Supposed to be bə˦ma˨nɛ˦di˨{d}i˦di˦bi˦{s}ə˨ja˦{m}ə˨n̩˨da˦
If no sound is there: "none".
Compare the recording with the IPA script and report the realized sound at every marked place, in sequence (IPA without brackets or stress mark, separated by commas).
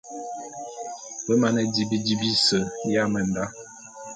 b, s, m